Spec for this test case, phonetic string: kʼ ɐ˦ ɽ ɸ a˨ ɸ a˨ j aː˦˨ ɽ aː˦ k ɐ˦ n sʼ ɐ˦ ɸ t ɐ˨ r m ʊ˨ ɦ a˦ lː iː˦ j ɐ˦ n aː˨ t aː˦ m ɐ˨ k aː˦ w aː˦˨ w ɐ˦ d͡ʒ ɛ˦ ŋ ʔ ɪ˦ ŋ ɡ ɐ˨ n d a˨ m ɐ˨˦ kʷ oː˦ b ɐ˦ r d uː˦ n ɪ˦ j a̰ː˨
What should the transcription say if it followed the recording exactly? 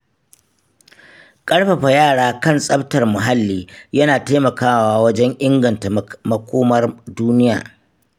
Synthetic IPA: kʼ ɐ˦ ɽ ɸ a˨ ɸ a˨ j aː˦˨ ɽ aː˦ k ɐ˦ n sʼ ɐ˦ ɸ t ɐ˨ r m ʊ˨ ɦ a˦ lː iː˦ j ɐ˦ n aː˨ t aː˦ m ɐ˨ k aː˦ w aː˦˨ w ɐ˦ d͡ʒ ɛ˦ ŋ ʔ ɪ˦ ŋ ɡ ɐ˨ n t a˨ m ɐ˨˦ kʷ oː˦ m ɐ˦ r d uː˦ n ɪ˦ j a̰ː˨